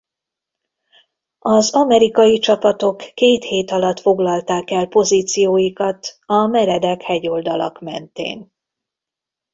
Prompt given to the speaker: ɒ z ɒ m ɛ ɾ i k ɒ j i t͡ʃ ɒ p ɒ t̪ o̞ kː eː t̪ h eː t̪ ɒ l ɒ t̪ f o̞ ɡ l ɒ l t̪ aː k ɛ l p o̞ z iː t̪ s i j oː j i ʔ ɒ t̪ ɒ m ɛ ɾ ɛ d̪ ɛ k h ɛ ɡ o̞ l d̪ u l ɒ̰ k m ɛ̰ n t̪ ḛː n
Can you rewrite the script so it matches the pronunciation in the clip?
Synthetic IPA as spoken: ɒ z ɒ m ɛ ɾ i k ɒ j i t͡ʃ ɒ p ɒ t̪ o̞ kː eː t̪ h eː t̪ ɒ l ɒ t̪ f o̞ ɡ l ɒ l t̪ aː k ɛ l p o̞ z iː t̪ s i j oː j i k ɒ t̪ ɒ m ɛ ɾ ɛ d̪ ɛ k h ɛ ɟ o̞ l d̪ ɒ l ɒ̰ k m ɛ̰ n t̪ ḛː n